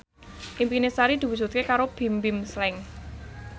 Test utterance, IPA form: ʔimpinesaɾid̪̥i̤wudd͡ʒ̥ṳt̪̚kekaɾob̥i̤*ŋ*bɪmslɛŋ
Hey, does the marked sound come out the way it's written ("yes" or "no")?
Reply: no